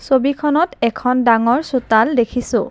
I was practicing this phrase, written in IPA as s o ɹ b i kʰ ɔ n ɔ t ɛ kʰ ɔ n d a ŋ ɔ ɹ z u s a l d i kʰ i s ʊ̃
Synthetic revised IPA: s o b i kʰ ɔ n ɔ t ɛ kʰ ɔ n d a ŋ ɔ ɹ s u t a l d e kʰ i s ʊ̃